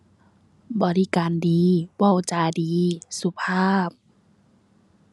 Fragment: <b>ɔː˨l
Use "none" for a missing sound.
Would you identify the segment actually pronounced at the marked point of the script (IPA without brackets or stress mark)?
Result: b